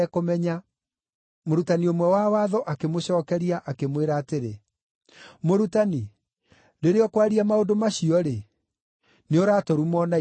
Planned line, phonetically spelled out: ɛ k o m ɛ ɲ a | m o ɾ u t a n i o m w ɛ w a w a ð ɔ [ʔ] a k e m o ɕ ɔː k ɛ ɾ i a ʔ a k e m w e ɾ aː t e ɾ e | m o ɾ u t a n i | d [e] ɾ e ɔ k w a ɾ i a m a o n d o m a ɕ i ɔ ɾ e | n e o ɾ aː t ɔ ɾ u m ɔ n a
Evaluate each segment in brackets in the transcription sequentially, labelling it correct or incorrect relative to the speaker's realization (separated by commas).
correct, correct